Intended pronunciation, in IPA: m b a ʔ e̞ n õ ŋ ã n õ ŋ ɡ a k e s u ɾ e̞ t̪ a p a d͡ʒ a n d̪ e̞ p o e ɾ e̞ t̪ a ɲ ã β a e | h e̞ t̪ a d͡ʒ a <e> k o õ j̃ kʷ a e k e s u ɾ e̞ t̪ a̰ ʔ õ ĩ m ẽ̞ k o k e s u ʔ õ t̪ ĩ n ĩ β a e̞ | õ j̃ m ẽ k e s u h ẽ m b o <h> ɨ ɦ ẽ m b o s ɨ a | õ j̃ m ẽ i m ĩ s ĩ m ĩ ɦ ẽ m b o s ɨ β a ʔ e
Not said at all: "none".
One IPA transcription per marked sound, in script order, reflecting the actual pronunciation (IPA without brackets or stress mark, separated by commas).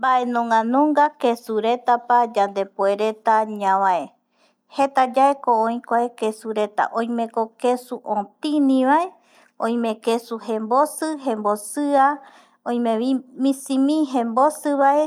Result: e, s